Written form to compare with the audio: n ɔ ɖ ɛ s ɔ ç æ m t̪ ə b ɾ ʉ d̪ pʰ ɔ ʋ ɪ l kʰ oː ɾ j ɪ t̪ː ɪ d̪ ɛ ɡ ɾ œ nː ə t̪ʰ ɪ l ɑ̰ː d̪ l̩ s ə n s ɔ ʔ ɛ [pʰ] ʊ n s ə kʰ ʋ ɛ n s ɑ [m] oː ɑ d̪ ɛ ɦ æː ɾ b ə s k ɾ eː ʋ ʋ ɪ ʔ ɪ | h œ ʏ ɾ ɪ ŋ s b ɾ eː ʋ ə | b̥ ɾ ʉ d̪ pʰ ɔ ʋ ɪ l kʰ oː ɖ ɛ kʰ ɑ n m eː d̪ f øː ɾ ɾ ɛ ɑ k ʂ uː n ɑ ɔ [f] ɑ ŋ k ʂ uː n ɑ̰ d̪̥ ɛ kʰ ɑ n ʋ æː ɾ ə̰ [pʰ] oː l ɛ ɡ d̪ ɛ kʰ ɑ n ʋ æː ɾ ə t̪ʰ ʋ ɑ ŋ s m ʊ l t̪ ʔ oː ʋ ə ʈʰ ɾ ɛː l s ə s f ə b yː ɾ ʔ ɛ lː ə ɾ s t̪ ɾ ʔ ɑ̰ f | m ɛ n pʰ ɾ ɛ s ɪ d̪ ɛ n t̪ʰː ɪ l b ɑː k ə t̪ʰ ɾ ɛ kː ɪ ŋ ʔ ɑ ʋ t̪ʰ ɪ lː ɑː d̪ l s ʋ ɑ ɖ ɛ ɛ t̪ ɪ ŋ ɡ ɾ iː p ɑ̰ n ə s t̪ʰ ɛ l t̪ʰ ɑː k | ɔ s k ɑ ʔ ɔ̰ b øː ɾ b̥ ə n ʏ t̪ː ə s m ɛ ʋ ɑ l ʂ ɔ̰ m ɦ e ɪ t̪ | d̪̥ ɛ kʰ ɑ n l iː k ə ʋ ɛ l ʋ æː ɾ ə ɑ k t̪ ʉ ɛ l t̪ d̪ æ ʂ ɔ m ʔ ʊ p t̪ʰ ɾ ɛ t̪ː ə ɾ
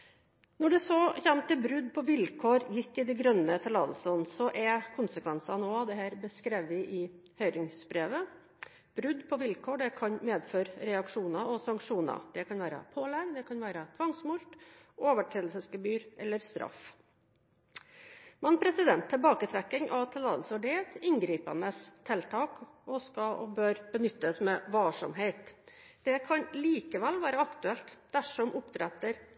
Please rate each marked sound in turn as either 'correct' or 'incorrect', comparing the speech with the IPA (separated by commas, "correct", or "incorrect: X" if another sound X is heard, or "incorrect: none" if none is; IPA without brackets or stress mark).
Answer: incorrect: kʰ, incorrect: n, incorrect: s, correct